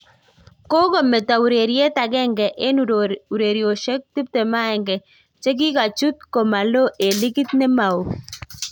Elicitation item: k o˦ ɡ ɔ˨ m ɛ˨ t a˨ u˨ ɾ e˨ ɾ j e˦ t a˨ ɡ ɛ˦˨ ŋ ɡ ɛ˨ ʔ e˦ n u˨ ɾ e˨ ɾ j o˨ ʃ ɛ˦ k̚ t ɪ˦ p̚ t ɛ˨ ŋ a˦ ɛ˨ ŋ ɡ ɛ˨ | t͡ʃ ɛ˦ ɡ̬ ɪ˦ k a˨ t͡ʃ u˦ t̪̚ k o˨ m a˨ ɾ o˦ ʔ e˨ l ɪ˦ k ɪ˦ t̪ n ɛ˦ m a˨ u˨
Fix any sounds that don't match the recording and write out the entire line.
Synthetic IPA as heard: k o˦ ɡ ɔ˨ m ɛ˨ t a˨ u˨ ɾ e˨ ɾ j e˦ t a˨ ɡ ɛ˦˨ ŋ ɡ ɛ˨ ʔ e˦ n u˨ ɾ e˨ ɾ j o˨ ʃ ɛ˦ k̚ t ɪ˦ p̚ t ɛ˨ m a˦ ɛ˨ ŋ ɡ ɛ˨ | t͡ʃ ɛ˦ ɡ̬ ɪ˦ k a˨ t͡ʃ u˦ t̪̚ k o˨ m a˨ l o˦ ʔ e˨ l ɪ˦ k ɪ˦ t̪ n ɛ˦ m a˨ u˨